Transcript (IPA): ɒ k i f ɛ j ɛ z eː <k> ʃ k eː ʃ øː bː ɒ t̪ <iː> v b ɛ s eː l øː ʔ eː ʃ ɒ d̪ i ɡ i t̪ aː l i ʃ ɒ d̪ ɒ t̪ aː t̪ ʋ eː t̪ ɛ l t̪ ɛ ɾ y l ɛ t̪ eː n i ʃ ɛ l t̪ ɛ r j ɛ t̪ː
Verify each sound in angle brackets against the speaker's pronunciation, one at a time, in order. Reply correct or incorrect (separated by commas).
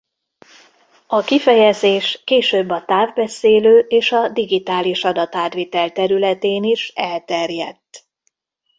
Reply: incorrect, incorrect